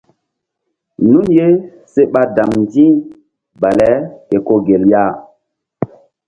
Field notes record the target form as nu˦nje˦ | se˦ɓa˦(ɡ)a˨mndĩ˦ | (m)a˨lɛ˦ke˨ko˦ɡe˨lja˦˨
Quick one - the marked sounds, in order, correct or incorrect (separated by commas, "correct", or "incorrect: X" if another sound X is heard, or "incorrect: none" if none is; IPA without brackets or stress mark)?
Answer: incorrect: d, incorrect: b